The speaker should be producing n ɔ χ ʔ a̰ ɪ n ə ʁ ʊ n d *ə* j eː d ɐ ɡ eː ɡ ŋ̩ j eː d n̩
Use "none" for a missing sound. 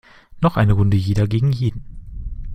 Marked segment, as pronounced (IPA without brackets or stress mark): ə